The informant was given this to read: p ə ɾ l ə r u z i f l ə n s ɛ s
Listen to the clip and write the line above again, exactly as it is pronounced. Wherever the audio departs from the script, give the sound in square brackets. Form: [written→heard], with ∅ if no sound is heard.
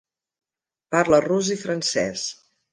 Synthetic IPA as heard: p [ə→a] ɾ l ə r u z i f [l→ɾ] ə n s ɛ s